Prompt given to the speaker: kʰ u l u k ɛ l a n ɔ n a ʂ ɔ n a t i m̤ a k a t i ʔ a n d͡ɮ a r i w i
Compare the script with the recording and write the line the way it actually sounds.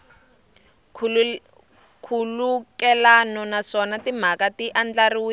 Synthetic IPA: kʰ u l u k ɛ l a n ɔ n a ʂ ɔ n a t i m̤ a k a t i ʔ a n d͡ɮ a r i w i